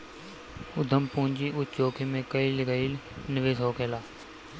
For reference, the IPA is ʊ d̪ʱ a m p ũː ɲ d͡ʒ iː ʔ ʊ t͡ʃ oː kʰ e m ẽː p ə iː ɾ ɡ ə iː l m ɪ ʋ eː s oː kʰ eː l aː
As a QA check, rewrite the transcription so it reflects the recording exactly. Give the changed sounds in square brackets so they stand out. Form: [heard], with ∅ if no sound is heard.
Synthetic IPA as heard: ʊ d̪ʱ [ə] m p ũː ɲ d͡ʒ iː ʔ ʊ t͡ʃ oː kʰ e m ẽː [k] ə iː [l] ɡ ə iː l [n] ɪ ʋ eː s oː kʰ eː l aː